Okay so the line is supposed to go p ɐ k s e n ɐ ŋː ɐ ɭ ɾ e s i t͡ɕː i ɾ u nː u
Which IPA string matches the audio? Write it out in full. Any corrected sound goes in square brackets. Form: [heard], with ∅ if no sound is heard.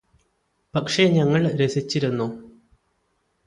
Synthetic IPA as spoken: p ɐ k [ʂ] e [ɲ] ɐ ŋː ɐ ɭ ɾ e s i t͡ɕː i ɾ u nː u

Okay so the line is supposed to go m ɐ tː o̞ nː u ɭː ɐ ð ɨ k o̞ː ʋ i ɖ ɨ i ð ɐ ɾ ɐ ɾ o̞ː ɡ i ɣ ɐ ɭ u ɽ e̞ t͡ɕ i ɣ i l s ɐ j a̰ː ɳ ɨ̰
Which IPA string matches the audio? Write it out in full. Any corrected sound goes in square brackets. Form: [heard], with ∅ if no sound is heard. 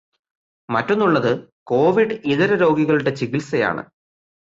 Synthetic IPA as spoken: m ɐ tː o̞ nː u ɭː ɐ ð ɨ k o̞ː ʋ i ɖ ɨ i ð ɐ ɾ ɐ ɾ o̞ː ɡ i ɣ ɐ ɭ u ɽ e̞ t͡ɕ i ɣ i l s ɐ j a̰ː ɳ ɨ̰

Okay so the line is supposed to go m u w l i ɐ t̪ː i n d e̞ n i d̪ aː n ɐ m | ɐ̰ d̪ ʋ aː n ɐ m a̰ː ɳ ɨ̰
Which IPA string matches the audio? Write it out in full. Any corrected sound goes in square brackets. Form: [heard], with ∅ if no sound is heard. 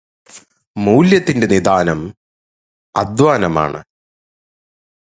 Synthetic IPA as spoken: m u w l [j] ɐ t̪ː i n d e̞ n i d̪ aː n ɐ m | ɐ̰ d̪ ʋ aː n ɐ m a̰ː ɳ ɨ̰

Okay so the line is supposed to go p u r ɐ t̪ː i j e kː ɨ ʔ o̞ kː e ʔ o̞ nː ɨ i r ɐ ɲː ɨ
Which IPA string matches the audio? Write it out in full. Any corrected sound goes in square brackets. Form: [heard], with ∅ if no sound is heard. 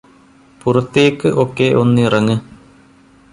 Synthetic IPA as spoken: p u r ɐ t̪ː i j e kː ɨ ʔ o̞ kː e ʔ o̞ nː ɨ i r ɐ [ŋː] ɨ

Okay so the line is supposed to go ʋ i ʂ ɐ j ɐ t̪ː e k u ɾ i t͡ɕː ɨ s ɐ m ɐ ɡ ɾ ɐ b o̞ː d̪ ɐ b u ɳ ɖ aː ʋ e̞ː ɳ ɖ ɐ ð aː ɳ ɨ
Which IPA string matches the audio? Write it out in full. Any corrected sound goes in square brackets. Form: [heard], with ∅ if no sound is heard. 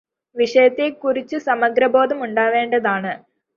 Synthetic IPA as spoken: ʋ i ʂ ɐ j ɐ t̪ː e k u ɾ i t͡ɕː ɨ s ɐ m ɐ ɡ ɾ ɐ b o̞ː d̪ ɐ [m] u ɳ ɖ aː ʋ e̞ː ɳ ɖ ɐ ð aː ɳ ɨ

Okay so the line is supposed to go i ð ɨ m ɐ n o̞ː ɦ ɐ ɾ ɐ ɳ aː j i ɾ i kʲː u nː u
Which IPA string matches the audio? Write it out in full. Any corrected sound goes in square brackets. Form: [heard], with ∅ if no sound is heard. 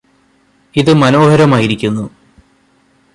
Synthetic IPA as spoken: i ð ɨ m ɐ n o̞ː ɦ ɐ ɾ ɐ [m] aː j i ɾ i kʲː u nː u

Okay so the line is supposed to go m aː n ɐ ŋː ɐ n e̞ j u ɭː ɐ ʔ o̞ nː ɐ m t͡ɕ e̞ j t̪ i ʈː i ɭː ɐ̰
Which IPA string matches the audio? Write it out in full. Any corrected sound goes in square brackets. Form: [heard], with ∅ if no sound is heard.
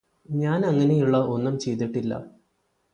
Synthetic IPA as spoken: [ɲ] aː n ɐ ŋː ɐ n e̞ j u ɭː ɐ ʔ o̞ nː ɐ m t͡ɕ e̞ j t̪ i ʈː i [lː] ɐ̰

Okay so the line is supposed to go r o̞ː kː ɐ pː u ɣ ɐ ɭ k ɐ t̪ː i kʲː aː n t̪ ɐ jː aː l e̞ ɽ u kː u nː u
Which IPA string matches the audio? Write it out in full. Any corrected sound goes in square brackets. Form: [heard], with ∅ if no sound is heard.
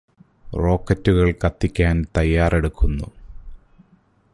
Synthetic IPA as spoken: r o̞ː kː ɐ [tː] u ɣ ɐ ɭ k ɐ t̪ː i kʲː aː n t̪ ɐ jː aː [r] e̞ ɽ u kː u nː u

